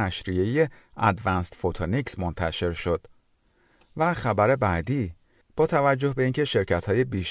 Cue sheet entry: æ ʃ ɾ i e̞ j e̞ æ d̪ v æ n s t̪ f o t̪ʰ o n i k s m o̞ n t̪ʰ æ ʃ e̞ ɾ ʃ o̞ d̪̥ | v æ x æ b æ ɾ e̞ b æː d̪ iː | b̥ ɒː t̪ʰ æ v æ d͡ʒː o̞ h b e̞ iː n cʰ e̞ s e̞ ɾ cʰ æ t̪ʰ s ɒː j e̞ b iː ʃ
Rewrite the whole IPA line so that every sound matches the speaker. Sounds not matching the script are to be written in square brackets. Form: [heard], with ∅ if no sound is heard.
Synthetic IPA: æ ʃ ɾ i e̞ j e̞ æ d̪ v æ n s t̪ f o t̪ʰ o n i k s m o̞ n t̪ʰ æ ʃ e̞ ɾ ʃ o̞ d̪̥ | v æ x æ b æ ɾ e̞ b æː d̪ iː | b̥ ɒː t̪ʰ æ v æ d͡ʒː o̞ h b e̞ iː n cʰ e̞ [ʃ] e̞ ɾ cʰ æ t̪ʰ [h] ɒː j e̞ b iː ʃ